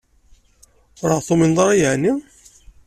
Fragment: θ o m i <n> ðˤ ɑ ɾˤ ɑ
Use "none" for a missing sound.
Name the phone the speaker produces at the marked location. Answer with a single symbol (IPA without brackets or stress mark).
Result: n